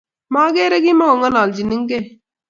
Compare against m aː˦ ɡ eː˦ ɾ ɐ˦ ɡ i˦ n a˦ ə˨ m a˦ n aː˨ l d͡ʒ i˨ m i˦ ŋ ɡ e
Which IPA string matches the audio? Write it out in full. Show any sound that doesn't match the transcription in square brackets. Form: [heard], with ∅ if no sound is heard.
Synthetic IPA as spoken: m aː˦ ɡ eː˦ ɾ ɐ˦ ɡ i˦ [m] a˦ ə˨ [ŋ] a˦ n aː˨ l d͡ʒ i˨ [n] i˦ ŋ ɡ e